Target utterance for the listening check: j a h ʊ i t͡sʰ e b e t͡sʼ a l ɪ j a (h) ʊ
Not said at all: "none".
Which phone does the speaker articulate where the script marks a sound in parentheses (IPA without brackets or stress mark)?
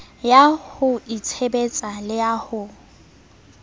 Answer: h